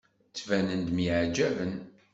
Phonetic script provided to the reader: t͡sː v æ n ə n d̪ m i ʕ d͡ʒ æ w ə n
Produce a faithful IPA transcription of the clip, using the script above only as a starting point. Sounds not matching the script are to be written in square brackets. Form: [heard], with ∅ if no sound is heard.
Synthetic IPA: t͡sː v æ n ə n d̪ m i ʕ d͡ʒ æ [v] ə n